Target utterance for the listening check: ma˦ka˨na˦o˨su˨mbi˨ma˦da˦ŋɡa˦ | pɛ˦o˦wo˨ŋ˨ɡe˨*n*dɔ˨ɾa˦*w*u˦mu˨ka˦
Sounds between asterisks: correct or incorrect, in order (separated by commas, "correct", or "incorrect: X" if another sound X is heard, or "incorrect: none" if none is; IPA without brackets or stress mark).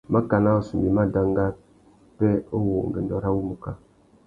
correct, correct